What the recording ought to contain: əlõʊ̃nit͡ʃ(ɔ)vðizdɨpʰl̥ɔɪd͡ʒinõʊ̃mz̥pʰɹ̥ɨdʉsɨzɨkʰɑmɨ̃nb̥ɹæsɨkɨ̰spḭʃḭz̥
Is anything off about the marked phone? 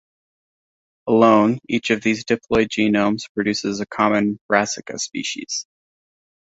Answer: yes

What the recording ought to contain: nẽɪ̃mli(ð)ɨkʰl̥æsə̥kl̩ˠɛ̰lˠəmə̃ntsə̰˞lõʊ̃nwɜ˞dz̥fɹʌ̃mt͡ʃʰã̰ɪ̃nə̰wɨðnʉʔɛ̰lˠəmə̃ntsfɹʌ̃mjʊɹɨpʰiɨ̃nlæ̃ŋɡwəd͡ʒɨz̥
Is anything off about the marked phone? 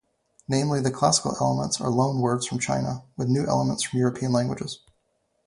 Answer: no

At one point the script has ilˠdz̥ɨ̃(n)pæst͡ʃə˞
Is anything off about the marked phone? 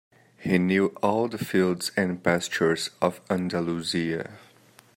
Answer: no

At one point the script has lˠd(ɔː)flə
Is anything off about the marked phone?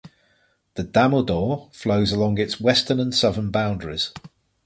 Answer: no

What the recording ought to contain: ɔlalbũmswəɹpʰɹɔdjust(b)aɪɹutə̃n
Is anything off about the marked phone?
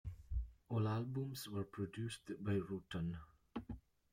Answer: no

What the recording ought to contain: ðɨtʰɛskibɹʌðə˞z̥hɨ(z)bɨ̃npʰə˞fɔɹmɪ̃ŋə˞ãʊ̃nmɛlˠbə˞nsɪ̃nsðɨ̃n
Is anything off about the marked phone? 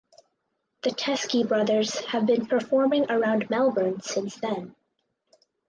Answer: yes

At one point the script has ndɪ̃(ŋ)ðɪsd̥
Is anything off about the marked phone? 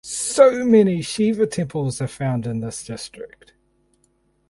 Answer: yes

